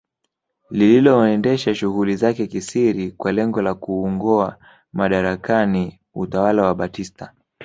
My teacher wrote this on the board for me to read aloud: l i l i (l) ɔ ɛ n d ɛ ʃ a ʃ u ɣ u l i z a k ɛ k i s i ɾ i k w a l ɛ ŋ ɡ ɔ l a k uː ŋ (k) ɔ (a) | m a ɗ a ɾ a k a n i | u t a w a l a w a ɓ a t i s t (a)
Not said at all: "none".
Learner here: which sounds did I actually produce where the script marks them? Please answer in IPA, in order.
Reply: l, ɡ, a, a

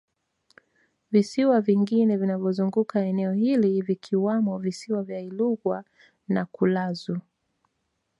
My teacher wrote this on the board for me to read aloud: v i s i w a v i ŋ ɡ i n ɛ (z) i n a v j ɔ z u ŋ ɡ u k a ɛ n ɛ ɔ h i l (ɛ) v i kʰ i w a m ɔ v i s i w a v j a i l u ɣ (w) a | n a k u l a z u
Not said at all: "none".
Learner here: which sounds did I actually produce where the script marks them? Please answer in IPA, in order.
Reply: v, i, w

